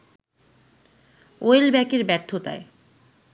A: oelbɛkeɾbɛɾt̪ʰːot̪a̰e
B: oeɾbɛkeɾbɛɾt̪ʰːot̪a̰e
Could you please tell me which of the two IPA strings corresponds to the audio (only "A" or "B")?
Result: A